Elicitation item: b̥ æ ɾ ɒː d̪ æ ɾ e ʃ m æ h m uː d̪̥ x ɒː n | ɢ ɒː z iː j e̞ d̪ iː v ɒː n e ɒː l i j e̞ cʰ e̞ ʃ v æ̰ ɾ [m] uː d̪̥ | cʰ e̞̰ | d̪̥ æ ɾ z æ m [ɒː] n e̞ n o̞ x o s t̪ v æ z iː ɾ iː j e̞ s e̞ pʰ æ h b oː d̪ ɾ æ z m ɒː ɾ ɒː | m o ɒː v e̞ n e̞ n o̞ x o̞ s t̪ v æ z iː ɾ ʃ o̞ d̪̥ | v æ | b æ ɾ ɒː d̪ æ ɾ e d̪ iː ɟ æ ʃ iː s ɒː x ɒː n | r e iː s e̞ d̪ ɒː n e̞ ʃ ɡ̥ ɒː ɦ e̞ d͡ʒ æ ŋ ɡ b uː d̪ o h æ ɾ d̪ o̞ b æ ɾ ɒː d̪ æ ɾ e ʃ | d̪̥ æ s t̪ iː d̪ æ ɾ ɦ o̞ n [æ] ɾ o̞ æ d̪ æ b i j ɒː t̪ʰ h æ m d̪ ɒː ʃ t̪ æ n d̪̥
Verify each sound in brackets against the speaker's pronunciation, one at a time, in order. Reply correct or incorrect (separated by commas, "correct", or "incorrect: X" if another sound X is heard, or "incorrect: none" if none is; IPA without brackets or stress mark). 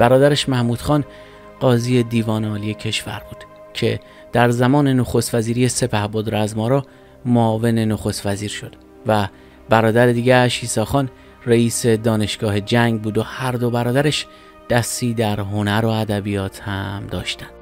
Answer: incorrect: b, correct, correct